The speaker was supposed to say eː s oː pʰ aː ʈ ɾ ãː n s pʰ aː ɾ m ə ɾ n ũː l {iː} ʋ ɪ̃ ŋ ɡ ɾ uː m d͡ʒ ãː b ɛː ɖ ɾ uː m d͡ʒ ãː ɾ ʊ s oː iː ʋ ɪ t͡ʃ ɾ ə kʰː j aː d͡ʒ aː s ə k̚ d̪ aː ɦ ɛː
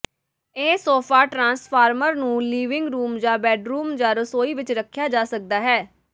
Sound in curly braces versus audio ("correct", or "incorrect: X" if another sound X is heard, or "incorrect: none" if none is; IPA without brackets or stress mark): correct